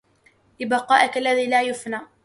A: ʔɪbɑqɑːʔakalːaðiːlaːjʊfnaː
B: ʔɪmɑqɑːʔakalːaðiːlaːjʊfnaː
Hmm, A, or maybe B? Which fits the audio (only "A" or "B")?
A